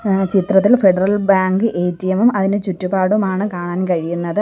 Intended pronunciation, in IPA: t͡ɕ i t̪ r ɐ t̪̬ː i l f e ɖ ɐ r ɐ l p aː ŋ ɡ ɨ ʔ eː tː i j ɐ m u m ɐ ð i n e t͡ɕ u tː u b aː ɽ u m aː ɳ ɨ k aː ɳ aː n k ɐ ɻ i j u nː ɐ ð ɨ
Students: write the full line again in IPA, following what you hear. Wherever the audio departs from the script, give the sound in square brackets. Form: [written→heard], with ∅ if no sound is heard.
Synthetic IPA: t͡ɕ i t̪ r ɐ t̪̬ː i l f e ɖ ɐ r ɐ l [p→b] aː ŋ ɡ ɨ ʔ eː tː i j ɐ m u m ɐ ð i n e t͡ɕ u tː u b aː ɽ u m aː ɳ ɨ k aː ɳ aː n k ɐ ɻ i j u nː ɐ ð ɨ